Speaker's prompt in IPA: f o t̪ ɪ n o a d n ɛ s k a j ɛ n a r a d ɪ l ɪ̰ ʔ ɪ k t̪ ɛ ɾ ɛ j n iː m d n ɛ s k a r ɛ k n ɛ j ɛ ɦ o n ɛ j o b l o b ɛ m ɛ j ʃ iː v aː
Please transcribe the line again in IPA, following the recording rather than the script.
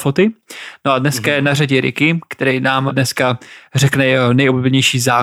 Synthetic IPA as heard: f o t̪ ɪ n o a d n ɛ s k a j ɛ n a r a ɟ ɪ ɾ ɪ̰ k ɪ k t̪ ɛ ɾ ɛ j n aː m d n ɛ s k a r ɛ k n ɛ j ɛ ɦ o n ɛ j o b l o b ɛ ɲ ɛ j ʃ iː z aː